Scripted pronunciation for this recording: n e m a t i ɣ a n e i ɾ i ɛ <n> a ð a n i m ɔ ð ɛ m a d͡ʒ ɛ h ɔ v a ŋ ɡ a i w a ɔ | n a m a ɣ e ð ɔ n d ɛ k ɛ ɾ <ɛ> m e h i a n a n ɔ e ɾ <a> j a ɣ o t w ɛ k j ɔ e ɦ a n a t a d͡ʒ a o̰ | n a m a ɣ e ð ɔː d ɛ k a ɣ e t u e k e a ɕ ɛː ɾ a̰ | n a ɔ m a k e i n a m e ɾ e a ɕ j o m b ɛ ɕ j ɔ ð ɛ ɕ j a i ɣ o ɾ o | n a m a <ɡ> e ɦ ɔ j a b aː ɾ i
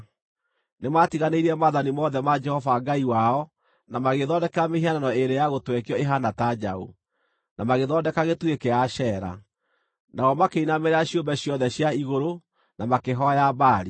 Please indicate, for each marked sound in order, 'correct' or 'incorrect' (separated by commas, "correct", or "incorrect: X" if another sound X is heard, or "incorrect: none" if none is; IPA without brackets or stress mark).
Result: incorrect: m, incorrect: a, incorrect: e, incorrect: k